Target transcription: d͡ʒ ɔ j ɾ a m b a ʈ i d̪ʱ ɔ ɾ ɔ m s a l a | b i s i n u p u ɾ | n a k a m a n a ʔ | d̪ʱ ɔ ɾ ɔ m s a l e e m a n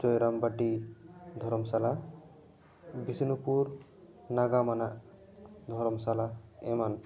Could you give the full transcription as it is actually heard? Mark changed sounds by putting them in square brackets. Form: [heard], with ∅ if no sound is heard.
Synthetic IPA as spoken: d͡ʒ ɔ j ɾ a m b a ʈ i d̪ʱ ɔ ɾ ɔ m s a l a | b i s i n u p u ɾ | n a [ɡ] a m a n a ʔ | d̪ʱ ɔ ɾ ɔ m s a l [a] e m a n